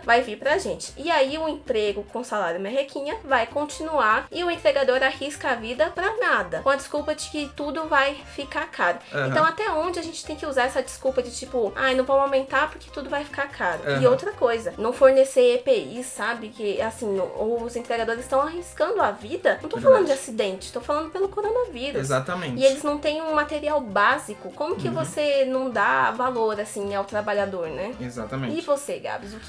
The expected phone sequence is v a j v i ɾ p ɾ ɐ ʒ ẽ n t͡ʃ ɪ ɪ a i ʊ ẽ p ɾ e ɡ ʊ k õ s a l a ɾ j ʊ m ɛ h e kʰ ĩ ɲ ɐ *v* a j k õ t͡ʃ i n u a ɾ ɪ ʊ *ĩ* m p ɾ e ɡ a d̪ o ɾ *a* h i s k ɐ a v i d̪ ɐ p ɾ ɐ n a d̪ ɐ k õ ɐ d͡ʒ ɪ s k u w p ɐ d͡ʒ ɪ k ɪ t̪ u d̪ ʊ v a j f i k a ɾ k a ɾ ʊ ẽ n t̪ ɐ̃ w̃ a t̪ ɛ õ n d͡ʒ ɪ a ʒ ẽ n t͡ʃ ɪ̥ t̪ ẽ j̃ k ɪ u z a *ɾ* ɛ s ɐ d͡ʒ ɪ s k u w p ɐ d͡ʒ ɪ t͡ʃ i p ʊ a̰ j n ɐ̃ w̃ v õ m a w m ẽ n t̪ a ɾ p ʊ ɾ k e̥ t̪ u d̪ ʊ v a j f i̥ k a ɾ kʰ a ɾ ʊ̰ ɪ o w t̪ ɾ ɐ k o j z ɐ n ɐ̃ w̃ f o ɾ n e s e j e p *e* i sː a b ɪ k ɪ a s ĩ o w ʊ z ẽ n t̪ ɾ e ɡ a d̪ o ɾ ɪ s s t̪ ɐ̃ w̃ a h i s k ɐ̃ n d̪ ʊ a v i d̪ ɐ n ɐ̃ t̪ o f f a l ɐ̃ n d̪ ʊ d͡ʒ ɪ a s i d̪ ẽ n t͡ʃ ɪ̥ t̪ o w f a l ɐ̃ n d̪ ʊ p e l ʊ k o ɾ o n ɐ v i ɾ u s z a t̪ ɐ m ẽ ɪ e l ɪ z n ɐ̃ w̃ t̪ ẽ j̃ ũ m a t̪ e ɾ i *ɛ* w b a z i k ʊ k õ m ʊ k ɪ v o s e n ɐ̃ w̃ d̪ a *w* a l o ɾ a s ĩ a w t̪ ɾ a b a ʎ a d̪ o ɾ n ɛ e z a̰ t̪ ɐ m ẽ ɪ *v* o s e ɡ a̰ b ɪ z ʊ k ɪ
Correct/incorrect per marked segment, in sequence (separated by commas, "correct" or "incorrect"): correct, incorrect, correct, correct, correct, incorrect, incorrect, correct